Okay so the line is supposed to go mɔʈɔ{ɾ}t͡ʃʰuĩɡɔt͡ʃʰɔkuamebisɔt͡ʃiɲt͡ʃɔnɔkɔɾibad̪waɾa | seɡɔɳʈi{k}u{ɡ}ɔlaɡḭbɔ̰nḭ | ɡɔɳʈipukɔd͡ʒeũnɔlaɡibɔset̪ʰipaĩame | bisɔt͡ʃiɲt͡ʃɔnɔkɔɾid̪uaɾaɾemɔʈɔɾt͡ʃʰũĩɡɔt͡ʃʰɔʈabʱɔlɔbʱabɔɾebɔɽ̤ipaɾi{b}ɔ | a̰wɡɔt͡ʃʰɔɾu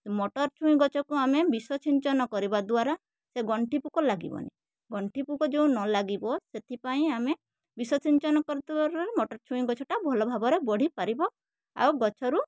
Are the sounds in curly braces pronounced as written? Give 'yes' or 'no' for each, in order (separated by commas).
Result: yes, no, no, yes